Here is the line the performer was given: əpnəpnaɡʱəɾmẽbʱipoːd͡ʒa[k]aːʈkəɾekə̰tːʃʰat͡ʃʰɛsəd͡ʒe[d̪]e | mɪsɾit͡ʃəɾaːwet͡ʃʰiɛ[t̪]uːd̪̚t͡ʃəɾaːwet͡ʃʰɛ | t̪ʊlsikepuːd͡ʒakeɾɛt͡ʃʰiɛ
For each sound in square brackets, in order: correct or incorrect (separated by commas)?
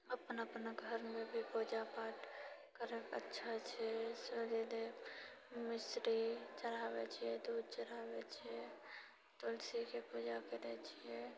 incorrect, correct, incorrect